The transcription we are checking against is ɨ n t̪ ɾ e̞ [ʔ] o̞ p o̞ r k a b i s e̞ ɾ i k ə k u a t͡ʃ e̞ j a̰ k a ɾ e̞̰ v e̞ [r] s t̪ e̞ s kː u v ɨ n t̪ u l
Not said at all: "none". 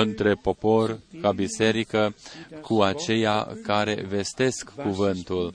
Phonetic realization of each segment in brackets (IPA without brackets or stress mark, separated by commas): p, none